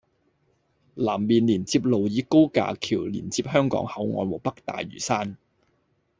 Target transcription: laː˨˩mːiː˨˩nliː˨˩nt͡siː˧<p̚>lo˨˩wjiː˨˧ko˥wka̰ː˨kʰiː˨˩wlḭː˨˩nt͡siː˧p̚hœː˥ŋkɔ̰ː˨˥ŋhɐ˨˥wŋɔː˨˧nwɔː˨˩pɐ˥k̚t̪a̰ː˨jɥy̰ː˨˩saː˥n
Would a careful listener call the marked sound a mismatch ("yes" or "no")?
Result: no